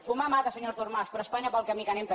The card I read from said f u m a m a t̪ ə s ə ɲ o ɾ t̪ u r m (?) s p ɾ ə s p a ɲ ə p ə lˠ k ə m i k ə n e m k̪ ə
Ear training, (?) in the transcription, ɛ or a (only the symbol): a